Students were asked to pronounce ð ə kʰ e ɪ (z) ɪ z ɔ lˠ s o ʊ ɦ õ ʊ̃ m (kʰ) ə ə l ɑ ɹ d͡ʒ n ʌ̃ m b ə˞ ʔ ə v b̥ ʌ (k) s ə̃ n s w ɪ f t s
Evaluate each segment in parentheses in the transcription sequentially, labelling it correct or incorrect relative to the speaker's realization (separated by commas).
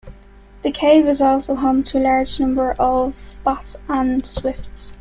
incorrect, incorrect, incorrect